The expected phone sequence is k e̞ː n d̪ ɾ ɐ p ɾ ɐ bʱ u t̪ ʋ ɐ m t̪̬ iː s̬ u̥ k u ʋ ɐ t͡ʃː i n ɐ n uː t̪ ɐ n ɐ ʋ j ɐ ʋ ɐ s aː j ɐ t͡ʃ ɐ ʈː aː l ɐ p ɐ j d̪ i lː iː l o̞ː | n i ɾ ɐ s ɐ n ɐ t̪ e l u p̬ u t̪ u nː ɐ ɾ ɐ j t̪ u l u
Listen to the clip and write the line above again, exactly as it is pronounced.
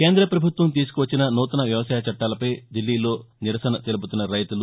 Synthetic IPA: k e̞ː n d̪ ɾ ɐ p ɾ ɐ bʱ u t̪ ʋ ɐ m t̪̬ iː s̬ u̥ k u ʋ ɐ t͡ʃː i n ɐ n uː t̪ ɐ n ɐ ʋ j ɐ ʋ ɐ s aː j ɐ t͡ʃ ɐ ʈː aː l ɐ p ɐ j d̪ i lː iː l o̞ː | n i ɾ ɐ s ɐ n ɐ t̪ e l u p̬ u t̪ u nː ɐ ɾ ɐ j t̪ u l u